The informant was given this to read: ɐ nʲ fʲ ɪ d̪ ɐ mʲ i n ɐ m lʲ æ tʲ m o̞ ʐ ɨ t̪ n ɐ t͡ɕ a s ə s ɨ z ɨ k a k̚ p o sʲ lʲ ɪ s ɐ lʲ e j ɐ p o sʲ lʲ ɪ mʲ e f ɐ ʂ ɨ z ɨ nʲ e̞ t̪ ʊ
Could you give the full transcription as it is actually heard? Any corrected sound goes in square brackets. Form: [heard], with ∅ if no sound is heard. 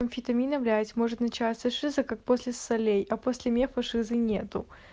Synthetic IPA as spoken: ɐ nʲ fʲ ɪ [t̪] ɐ mʲ i n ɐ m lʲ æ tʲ m o̞ ʐ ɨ t̪ n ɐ t͡ɕ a s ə [ʂ] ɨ z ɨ k a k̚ p o sʲ lʲ ɪ s ɐ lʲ e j ɐ p o sʲ lʲ ɪ mʲ e f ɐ ʂ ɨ z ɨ nʲ e̞ t̪ ʊ